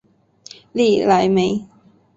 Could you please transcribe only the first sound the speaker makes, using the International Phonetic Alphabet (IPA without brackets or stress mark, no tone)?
l